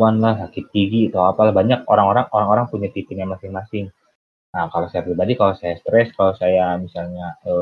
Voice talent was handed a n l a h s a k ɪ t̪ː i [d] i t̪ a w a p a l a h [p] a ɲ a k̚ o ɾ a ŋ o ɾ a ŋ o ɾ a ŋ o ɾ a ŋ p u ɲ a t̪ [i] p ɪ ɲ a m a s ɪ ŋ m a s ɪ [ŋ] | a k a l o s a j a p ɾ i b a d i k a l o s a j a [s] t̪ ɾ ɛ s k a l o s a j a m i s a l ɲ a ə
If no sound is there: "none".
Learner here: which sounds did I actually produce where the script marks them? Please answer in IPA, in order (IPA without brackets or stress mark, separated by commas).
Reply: ɡ, b, i, ŋ, s